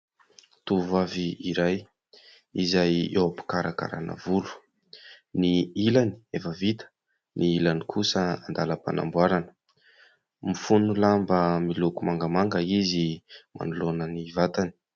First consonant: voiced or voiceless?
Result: voiceless